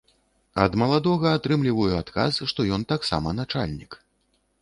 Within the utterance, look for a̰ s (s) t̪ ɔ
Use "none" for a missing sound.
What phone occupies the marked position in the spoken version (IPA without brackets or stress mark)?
ʂ